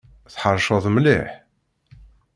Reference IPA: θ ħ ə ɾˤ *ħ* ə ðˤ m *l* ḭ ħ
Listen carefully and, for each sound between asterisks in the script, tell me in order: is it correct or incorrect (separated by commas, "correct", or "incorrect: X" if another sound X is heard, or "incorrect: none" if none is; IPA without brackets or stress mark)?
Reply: incorrect: ʃ, correct